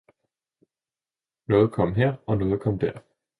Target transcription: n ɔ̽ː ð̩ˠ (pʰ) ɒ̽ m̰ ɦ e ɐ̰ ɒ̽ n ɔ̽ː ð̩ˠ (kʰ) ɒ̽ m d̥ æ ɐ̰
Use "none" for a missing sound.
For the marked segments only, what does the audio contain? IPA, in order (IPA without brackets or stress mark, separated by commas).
kʰ, kʰ